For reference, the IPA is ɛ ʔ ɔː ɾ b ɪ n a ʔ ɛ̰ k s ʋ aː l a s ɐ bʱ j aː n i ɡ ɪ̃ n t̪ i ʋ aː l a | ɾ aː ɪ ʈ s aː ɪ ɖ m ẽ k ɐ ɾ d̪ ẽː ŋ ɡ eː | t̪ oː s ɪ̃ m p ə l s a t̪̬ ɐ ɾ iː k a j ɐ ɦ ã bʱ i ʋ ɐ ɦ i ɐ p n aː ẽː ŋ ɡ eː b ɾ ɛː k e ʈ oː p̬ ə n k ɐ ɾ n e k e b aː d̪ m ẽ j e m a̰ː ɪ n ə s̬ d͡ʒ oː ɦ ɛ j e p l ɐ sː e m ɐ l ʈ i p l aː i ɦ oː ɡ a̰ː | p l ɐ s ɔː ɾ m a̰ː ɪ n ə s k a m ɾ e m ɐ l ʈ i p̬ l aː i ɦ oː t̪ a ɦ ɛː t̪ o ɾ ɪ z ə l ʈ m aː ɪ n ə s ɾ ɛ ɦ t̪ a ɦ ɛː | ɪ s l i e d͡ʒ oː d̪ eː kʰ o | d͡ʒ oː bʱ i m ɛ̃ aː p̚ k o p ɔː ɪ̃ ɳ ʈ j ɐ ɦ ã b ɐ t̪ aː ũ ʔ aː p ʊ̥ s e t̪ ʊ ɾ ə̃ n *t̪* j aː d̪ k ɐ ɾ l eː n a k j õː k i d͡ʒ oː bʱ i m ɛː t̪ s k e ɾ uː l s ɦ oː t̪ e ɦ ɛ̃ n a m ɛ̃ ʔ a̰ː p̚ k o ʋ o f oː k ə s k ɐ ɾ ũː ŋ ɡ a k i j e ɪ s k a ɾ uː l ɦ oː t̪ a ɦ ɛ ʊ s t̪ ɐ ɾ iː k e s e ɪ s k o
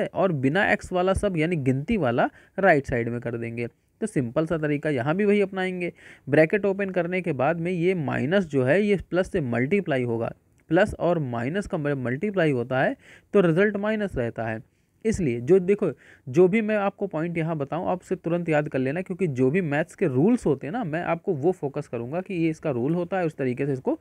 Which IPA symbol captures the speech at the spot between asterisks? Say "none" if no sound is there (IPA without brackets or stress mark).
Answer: t̪